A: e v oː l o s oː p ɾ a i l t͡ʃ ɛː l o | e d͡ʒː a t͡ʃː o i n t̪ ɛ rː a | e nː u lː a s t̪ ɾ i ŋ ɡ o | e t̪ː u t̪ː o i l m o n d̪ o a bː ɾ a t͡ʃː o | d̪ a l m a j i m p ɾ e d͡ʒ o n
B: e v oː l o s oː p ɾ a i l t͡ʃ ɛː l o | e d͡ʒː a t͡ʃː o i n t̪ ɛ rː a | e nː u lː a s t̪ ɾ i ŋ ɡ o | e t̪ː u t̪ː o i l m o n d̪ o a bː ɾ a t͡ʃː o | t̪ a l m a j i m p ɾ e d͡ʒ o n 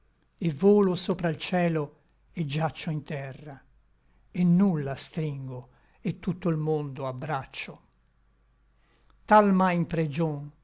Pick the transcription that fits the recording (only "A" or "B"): B